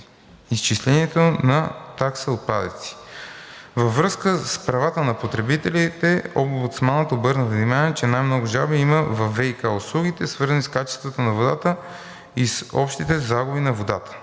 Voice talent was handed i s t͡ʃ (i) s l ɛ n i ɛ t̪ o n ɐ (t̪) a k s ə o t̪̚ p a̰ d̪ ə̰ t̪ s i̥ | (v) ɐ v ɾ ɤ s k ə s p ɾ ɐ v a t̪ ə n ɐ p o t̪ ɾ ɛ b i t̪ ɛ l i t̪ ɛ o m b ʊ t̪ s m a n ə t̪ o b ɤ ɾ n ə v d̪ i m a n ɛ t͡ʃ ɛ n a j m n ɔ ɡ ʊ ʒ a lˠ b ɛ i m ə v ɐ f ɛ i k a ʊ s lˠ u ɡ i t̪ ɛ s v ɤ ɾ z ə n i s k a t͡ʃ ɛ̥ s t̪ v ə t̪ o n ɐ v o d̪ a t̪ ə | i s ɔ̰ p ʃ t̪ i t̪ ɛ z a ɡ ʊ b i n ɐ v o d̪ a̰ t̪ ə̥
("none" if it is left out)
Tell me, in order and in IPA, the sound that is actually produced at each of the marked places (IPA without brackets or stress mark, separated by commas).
i, t̪, v